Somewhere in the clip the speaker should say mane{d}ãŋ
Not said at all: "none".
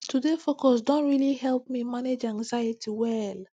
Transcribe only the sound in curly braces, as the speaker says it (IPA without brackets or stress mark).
d͡ʒ